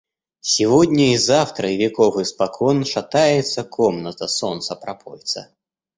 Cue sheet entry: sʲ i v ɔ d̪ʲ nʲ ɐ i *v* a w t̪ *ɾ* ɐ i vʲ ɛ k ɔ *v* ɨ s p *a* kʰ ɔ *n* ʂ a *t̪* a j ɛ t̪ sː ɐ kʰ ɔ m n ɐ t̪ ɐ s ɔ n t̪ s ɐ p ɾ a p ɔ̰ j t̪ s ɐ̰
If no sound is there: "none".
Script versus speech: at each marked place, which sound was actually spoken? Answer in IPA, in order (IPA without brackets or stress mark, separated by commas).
z, ɾ, v, a, n, t̪